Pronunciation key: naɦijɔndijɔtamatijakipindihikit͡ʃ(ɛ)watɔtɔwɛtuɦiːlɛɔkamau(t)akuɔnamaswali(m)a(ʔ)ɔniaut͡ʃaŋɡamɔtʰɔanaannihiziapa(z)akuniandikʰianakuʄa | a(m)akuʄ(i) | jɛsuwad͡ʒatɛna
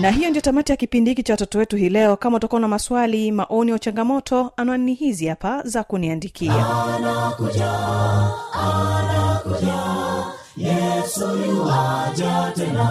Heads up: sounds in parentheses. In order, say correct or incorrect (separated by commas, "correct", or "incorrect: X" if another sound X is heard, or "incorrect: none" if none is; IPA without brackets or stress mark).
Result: incorrect: a, correct, correct, correct, correct, incorrect: n, incorrect: a